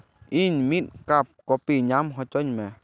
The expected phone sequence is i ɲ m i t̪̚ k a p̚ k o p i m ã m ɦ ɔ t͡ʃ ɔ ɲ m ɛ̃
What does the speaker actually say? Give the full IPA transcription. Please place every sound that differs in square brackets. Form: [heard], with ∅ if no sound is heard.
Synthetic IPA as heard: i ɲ m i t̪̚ k a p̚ k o p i [ɲ] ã m ɦ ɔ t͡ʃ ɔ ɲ m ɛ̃